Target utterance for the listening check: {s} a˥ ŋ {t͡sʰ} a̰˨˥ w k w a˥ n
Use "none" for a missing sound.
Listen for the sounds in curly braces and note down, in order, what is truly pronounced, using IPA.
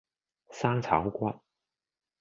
s, t͡sʰ

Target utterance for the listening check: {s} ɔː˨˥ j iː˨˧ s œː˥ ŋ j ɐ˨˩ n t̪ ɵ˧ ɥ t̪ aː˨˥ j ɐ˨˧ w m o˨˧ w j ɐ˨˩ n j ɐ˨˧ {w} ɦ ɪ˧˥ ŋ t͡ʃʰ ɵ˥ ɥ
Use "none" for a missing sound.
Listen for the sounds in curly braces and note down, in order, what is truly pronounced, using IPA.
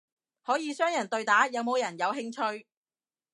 h, w

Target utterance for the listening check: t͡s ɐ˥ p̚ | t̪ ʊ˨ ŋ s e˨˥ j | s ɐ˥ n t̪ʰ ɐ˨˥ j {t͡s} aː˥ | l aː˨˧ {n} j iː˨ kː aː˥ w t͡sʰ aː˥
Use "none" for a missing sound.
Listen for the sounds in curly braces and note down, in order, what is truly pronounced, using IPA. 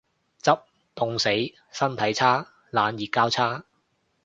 t͡sʰ, n

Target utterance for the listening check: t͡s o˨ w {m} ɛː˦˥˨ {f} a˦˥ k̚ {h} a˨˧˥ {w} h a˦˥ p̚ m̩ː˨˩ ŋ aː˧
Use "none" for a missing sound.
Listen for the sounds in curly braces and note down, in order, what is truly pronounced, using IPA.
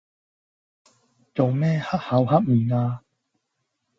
m, h, h, w

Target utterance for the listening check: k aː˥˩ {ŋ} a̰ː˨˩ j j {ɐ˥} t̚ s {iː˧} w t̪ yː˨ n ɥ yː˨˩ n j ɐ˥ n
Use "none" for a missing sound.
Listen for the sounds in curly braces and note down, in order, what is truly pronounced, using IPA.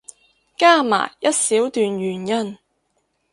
m, ɐ˥, iː˨˥

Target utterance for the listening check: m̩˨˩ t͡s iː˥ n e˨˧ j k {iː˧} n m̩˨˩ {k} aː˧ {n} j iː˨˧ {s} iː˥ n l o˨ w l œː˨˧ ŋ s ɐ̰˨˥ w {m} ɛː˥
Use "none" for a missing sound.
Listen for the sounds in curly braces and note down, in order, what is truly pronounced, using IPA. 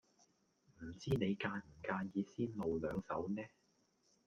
aː˧, k, n, s, n

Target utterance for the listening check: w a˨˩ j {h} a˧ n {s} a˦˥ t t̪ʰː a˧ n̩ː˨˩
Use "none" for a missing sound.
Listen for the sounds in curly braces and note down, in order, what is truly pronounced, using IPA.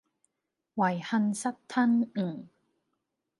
h, s

